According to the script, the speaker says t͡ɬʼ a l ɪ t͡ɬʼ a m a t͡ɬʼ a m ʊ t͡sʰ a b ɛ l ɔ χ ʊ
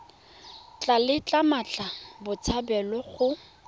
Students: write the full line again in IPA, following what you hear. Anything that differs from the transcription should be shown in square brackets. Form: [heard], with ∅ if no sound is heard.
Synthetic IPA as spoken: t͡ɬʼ a l ɪ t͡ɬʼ a m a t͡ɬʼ a [b] ʊ t͡sʰ a b ɛ l ɔ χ ʊ